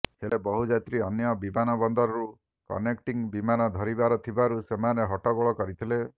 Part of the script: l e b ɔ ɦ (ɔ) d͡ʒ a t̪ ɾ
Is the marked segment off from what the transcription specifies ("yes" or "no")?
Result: yes